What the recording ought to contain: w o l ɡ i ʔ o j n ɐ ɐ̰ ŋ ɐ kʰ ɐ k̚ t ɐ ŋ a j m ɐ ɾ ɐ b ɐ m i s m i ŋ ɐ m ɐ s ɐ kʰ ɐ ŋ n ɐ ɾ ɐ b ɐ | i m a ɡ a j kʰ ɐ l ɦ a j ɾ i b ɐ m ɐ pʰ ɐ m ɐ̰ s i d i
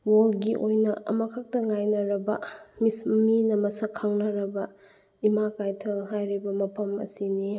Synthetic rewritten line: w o l ɡ i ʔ o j n ɐ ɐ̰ m ɐ kʰ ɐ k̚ t ɐ ŋ a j n ɐ ɾ ɐ b ɐ m i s m i n ɐ m ɐ s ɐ kʰ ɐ ŋ n ɐ ɾ ɐ b ɐ | i m a k a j tʰ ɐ l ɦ a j ɾ i b ɐ m ɐ pʰ ɐ m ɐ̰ s i n i